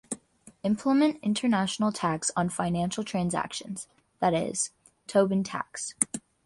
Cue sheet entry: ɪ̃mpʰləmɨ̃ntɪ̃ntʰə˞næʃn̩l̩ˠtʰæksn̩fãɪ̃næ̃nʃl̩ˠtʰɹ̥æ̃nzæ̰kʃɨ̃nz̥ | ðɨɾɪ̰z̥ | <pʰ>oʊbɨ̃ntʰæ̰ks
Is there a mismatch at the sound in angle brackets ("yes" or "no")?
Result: yes